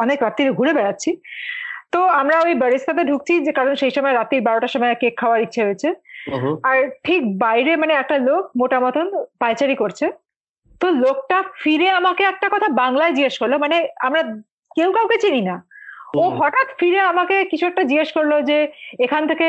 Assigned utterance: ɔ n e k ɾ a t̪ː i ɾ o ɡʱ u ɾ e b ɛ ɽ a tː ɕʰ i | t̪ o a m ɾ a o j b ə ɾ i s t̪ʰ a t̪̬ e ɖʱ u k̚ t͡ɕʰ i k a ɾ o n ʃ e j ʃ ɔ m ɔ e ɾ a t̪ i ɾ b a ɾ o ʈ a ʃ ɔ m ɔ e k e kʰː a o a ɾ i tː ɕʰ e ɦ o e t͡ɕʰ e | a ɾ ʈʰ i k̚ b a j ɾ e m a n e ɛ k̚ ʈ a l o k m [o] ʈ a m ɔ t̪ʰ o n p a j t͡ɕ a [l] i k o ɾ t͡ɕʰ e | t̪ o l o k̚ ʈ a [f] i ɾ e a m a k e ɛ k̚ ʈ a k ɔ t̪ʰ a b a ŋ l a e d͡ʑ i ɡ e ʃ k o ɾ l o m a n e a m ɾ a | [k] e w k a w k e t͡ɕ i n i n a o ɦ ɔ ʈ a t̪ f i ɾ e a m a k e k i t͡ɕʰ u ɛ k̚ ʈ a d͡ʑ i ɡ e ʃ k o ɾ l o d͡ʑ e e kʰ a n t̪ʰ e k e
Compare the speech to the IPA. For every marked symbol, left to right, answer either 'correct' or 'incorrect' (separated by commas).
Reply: correct, incorrect, correct, correct